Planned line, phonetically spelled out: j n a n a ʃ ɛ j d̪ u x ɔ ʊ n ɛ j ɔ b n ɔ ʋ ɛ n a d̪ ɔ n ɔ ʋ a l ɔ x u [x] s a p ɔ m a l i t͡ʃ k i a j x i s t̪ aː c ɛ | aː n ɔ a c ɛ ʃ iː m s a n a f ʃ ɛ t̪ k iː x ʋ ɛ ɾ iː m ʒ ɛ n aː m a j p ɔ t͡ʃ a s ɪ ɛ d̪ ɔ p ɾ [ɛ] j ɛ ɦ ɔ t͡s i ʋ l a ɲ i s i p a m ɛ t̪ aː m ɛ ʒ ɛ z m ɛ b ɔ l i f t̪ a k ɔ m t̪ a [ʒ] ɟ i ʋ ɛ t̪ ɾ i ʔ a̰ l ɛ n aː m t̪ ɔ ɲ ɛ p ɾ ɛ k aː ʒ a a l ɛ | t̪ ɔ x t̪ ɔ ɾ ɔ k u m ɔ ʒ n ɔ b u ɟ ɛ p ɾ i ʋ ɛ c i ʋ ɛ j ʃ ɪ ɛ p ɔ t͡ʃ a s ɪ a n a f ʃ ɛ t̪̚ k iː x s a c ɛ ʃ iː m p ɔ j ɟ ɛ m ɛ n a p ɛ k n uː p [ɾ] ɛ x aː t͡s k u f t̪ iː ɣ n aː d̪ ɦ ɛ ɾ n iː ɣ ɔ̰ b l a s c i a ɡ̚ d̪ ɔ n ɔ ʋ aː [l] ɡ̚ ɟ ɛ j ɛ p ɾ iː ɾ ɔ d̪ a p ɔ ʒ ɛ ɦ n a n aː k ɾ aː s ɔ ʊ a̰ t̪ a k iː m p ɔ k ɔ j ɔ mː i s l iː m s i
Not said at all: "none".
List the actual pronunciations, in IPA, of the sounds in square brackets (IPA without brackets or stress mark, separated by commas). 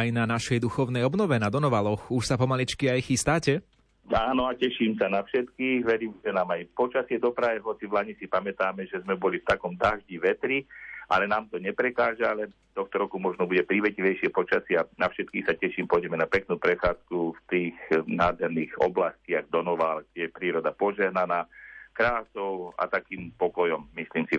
ʃ, a, ʒ, ɾ, l